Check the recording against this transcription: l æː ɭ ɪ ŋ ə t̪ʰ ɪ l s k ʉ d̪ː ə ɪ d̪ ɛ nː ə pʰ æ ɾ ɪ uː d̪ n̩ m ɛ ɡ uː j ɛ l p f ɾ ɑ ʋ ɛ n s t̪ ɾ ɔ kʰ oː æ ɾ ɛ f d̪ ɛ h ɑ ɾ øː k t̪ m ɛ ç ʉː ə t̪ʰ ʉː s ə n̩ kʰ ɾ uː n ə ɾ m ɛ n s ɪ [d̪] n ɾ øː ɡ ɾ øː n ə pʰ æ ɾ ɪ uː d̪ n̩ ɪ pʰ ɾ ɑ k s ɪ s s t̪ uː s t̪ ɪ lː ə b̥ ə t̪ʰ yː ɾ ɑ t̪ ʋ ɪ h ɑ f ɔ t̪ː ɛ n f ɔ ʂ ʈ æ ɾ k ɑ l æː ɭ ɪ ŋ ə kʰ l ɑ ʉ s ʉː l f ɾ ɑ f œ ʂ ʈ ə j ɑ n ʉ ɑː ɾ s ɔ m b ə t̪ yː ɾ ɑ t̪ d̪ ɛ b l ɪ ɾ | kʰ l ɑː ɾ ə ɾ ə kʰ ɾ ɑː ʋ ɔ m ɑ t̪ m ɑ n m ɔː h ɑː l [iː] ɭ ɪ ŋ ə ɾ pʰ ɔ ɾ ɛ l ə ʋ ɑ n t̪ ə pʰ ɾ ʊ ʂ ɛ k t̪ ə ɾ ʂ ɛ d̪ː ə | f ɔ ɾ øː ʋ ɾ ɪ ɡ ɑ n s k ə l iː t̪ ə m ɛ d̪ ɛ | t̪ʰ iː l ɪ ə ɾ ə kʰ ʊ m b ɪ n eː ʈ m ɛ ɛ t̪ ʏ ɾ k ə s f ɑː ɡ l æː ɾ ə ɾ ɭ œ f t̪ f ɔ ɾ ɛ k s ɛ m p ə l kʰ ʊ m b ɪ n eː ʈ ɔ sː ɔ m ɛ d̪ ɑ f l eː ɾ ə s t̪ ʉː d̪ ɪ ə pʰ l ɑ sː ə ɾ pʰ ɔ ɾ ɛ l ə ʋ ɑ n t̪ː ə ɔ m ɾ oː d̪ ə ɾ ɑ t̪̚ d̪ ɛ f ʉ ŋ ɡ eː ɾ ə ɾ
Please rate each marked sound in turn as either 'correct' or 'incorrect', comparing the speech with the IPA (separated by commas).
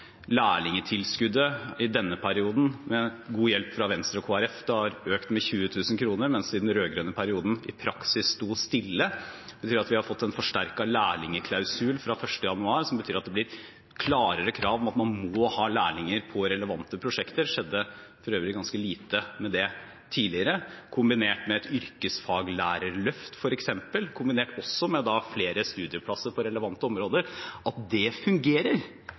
correct, incorrect